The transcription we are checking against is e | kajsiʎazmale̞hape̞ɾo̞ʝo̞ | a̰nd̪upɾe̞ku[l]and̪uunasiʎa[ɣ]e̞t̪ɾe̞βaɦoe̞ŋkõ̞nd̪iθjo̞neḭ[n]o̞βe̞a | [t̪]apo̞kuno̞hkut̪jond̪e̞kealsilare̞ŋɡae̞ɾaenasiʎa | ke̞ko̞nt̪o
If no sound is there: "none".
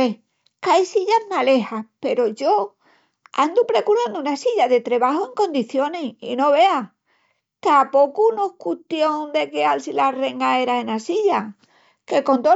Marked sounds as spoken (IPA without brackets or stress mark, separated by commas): ɾ, ð, n, t̪